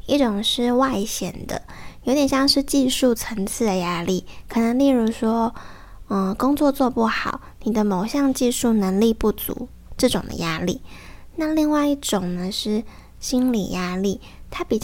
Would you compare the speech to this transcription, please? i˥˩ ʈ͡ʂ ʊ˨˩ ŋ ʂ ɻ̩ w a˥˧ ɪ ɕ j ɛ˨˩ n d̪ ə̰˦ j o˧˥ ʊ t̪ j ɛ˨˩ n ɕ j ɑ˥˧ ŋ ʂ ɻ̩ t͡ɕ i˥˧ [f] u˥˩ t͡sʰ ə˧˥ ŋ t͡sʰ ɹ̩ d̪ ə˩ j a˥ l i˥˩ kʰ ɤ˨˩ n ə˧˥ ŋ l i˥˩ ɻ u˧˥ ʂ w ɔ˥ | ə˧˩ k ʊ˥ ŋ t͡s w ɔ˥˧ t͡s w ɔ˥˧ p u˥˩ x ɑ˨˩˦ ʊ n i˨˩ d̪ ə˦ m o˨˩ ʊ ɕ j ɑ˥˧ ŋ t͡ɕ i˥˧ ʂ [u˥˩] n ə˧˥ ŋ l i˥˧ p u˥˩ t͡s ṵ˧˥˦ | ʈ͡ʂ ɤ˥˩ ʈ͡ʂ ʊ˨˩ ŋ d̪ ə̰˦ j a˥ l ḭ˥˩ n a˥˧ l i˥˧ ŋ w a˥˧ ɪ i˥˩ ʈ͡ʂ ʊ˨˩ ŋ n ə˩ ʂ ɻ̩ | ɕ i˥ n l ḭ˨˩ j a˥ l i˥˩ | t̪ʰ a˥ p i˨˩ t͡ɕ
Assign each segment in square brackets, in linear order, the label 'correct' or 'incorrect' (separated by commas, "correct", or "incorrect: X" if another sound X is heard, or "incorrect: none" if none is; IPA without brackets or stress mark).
incorrect: ʂ, correct